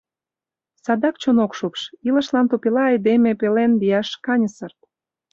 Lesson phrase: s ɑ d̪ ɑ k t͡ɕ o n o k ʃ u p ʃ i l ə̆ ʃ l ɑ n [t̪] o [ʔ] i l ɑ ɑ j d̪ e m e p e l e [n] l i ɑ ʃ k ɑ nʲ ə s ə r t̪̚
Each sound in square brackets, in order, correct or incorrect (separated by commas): correct, incorrect, correct